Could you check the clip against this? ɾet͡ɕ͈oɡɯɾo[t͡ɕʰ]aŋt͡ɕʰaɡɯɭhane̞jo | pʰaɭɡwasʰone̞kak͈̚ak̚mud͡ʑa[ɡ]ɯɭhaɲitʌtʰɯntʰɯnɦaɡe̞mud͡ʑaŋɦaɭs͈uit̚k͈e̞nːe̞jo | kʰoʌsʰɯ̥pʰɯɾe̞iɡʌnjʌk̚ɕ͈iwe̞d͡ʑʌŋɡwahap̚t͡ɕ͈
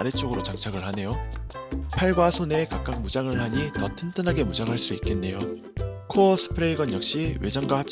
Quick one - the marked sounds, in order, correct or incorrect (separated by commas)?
incorrect, incorrect